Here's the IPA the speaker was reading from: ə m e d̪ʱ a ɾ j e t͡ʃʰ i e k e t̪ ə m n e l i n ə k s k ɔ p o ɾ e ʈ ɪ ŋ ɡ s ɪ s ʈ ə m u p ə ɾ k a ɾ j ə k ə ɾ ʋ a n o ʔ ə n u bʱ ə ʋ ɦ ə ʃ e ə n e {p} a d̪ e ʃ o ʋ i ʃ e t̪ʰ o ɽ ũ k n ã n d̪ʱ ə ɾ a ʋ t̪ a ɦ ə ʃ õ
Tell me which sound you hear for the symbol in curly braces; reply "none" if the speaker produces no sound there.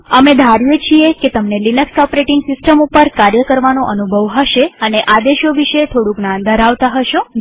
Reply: ʔ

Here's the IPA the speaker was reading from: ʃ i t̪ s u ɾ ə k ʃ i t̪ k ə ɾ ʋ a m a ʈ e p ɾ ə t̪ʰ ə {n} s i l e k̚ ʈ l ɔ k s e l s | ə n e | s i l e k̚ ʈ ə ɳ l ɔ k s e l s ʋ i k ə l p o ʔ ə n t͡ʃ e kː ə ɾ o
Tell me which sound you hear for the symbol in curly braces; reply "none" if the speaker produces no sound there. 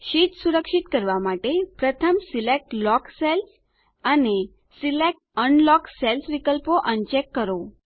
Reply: m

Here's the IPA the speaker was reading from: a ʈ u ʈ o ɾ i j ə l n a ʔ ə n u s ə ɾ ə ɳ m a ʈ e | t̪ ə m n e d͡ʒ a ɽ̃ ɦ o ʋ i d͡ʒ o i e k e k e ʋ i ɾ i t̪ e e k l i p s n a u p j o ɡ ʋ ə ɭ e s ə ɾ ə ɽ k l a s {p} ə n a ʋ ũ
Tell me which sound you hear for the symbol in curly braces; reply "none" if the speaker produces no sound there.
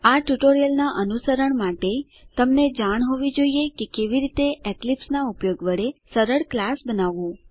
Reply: b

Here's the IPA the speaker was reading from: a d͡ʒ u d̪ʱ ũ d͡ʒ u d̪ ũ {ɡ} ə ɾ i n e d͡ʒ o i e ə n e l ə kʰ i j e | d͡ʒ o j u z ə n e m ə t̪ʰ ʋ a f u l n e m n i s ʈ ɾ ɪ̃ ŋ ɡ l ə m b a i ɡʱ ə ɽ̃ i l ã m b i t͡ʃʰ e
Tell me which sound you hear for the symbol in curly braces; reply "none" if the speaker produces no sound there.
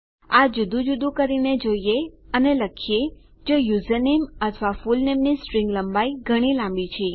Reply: k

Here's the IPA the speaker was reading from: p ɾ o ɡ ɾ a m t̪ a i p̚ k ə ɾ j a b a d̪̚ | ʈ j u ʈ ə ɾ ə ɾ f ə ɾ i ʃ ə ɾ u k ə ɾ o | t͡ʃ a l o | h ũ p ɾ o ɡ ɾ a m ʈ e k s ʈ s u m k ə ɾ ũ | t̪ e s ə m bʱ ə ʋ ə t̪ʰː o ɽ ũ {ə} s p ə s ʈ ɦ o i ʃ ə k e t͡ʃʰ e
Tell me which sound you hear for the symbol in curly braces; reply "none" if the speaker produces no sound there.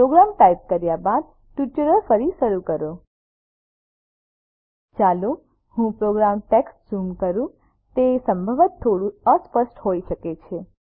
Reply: ə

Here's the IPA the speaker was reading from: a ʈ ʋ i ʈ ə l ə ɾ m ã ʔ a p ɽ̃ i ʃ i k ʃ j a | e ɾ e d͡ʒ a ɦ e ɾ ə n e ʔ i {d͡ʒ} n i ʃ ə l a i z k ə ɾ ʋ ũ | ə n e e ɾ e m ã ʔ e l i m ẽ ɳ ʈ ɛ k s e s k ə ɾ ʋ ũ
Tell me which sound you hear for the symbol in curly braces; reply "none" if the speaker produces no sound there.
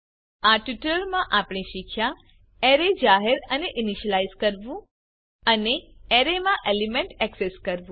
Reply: none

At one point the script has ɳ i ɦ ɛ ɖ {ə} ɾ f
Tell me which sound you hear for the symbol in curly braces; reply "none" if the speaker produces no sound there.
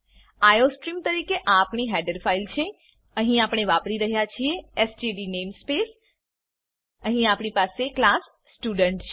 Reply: ə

